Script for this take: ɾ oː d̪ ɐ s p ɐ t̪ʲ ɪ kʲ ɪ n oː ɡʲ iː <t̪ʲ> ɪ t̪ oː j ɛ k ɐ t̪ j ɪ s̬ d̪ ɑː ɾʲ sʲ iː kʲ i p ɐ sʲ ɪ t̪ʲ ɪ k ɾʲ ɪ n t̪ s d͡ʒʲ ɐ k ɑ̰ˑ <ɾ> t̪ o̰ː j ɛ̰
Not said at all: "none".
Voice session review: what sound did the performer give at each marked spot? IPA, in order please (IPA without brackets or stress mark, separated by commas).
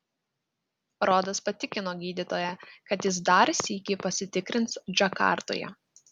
d̪ʲ, ɾ